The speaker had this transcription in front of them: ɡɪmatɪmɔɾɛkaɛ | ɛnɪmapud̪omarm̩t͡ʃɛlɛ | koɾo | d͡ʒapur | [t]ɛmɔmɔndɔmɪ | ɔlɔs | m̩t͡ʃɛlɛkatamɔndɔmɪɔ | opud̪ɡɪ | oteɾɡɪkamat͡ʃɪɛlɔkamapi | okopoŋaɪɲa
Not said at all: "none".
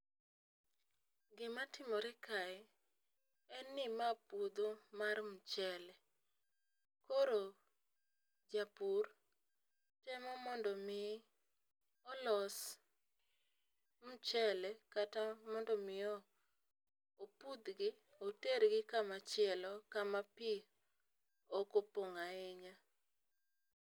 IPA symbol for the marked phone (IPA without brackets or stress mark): t